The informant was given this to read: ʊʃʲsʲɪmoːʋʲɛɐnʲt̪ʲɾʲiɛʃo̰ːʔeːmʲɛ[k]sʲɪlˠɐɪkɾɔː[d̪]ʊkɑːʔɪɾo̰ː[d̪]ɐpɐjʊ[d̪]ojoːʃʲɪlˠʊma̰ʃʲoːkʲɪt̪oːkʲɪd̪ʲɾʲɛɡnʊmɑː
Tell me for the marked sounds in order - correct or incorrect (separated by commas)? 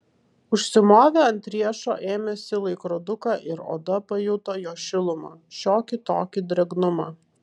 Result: incorrect, correct, correct, incorrect